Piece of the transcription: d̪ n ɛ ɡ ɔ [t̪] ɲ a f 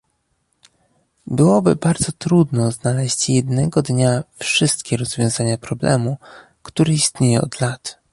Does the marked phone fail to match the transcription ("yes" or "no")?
yes